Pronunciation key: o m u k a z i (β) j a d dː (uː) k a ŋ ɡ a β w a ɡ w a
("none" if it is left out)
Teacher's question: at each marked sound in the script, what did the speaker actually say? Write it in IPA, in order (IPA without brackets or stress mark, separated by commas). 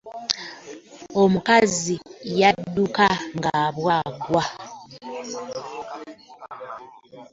none, u